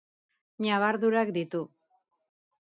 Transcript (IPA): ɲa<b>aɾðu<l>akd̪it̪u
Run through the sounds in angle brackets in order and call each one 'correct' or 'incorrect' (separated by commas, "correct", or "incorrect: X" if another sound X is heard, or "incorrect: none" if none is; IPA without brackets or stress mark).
incorrect: β, incorrect: ɾ